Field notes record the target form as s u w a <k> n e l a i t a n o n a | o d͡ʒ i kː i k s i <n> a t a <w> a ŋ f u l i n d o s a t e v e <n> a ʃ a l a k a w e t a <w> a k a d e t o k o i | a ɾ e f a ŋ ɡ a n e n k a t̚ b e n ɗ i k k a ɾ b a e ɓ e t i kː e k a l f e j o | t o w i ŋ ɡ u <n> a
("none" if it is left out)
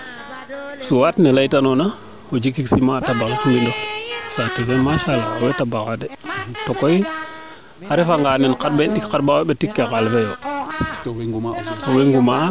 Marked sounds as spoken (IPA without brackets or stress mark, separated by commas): t, m, b, m, b, m